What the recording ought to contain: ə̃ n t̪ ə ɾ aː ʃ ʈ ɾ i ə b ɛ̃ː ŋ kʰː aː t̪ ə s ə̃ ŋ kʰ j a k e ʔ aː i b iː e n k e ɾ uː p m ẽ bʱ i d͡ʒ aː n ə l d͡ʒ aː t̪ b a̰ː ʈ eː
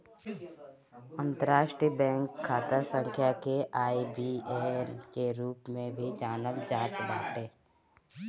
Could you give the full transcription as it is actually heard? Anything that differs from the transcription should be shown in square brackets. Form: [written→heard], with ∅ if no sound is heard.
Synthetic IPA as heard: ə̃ n t̪ ə ɾ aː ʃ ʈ ɾ i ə b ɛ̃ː ŋ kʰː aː t̪ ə s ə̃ ŋ kʰ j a k e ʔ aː i b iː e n k e ɾ uː p m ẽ bʱ i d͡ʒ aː n ə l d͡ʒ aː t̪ b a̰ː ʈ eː